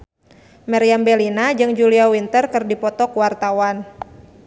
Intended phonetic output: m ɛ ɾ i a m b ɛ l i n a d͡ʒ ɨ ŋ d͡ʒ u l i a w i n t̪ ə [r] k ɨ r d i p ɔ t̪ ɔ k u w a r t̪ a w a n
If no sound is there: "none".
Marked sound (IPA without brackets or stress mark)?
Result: r